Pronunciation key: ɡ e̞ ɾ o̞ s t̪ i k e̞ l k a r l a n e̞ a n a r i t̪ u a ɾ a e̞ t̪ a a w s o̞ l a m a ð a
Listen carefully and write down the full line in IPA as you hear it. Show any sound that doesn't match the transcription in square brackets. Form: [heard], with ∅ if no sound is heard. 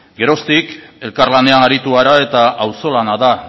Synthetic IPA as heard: ɡ e̞ ɾ o̞ s t̪ i k e̞ l k a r l a n e̞ a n a [ɾ] i t̪ u a ɾ a e̞ t̪ a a w s o̞ l a [n] a ð a